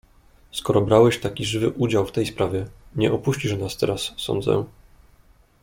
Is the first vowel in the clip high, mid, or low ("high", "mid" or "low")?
mid